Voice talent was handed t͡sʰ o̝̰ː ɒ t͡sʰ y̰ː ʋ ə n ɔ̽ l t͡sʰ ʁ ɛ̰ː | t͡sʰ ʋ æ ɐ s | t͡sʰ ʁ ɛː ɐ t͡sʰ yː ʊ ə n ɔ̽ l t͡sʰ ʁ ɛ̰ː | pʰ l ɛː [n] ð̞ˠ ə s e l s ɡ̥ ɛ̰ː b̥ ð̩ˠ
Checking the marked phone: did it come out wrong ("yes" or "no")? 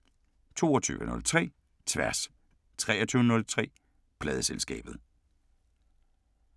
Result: yes